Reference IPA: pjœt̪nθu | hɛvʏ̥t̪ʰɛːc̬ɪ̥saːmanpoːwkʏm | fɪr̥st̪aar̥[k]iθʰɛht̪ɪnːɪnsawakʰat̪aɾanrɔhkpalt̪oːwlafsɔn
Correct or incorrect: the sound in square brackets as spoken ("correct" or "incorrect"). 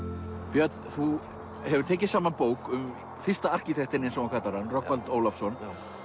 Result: incorrect